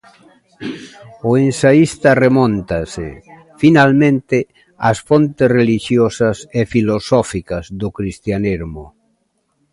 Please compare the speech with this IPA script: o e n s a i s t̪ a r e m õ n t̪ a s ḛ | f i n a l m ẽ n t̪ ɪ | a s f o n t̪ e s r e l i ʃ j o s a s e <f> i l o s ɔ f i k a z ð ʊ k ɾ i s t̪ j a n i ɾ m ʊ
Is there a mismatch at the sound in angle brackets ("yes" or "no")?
no